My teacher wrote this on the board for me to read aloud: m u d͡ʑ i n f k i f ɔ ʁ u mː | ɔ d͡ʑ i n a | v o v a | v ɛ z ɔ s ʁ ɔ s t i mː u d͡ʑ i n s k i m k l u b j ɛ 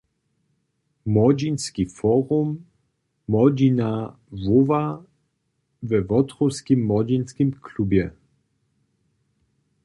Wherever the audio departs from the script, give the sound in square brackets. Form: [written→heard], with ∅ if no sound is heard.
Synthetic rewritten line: m [u→ɔ] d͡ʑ i n [f→s] k i f ɔ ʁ u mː | ɔ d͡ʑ i n a | v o v a | v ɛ [z→v] ɔ [s→t] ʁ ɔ s [t→k] i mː [u→ɔ] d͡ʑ i n s k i m k l u b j ɛ

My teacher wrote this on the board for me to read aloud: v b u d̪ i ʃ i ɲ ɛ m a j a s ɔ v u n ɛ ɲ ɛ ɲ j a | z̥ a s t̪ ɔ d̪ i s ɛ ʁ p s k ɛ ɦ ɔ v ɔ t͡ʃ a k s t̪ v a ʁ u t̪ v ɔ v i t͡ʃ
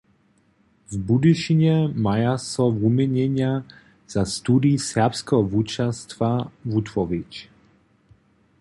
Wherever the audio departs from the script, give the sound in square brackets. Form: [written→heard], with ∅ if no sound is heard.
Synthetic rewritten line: v b u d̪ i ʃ i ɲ ɛ m a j a s ɔ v u [n→m] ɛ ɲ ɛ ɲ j a | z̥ a s t̪ [ɔ→u] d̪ i s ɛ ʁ p s k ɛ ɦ ɔ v [ɔ→u] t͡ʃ a [k→∅] s t̪ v a [ʁ→v] u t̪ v ɔ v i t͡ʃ

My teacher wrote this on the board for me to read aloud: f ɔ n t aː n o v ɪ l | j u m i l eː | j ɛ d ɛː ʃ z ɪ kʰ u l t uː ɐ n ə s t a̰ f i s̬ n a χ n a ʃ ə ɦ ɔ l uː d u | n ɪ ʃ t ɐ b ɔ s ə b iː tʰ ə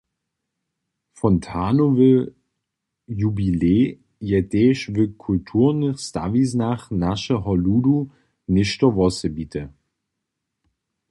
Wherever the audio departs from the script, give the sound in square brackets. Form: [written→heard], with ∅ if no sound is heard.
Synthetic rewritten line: f ɔ n [t→tʰ] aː n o v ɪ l | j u [m→b] i l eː | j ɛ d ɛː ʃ [z→v] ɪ kʰ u l [t→tʰ] uː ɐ n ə s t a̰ [f→v] i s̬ n a χ n a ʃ ə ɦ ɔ l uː d u | n ɪ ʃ t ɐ [b→v] ɔ s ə b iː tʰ ə

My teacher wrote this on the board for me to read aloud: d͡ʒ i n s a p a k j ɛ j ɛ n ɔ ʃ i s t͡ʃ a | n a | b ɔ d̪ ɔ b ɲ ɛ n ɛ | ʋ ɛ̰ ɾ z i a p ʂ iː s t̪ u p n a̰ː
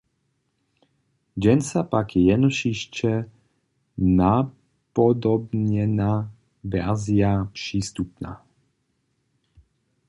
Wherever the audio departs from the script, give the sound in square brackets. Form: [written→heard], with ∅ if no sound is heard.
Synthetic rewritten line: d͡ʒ [i→ɛ] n s a p a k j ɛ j ɛ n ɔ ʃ i [s→ʃ] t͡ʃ [a→ɛ] | n a | [b→p] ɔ d̪ ɔ b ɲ ɛ n [ɛ→a] | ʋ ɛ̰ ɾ z i a p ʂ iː s t̪ u p n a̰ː

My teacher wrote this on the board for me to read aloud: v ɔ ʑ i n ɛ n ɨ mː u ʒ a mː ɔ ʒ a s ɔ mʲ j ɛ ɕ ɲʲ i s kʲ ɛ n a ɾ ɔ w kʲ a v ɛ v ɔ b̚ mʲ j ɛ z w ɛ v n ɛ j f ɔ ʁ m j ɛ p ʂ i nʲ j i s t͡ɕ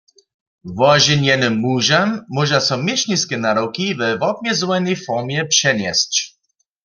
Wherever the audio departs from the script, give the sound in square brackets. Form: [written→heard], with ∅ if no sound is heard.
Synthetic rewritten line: v ɔ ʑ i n ɛ n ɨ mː u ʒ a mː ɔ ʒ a s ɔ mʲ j ɛ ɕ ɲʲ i s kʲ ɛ n a ɾ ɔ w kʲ [a→i] v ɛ v ɔ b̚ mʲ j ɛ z w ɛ [v→∅] n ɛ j f ɔ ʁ m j ɛ p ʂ [i→ɛ] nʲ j [i→ɛ] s t͡ɕ

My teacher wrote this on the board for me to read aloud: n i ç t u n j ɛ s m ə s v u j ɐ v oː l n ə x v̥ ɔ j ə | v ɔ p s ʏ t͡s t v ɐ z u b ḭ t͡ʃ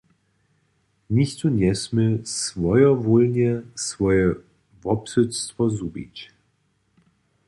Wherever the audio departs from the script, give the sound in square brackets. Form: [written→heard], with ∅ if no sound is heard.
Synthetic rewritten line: n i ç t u n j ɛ s m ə s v [u→ɔ] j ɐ v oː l n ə [x→s] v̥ ɔ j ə | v ɔ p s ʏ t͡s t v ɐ z u b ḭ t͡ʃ

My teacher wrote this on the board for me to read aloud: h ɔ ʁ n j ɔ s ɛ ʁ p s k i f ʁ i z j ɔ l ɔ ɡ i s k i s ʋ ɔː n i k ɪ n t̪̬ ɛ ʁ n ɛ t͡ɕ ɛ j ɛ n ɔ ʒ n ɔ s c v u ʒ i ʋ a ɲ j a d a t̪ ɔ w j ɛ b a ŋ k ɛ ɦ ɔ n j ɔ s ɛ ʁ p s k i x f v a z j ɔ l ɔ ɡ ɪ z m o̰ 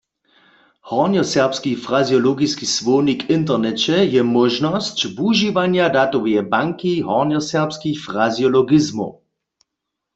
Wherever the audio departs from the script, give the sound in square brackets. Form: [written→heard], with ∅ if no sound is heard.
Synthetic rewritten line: h ɔ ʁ n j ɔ s ɛ ʁ p s k i f ʁ [i→a] z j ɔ l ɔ ɡ i s k i s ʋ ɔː n i k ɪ n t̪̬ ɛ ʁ n ɛ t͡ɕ ɛ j ɛ [n→m] ɔ ʒ n ɔ s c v u ʒ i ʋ a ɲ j a d a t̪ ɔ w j ɛ b a ŋ k [ɛ→i] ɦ ɔ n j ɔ s ɛ ʁ p s k i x f [v→ʁ] a z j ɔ l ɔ ɡ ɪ z m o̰

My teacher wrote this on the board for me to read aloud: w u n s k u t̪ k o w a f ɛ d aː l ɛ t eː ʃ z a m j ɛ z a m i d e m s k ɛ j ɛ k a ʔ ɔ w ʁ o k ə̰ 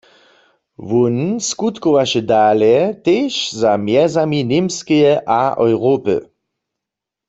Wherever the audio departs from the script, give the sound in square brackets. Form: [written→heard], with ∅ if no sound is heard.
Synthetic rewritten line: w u n s k u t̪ k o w a [f→ʃ] ɛ d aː l ɛ t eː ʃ z a m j ɛ z a m i [d→n] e m s k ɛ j ɛ [k→ʔ] a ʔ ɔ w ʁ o [k→p] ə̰

